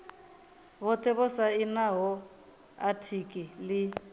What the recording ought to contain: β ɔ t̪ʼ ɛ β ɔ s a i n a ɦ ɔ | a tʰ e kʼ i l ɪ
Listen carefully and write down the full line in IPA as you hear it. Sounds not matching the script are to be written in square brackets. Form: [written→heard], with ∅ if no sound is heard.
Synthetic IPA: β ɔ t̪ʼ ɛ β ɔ s a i n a ɦ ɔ | a tʰ [e→i] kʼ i l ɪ